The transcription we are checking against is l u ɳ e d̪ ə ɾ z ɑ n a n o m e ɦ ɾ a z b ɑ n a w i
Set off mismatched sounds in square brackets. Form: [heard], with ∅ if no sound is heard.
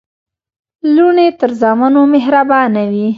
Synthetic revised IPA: l u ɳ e [t̪] ə ɾ z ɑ [m] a n o m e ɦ ɾ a [∅] b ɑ n a w i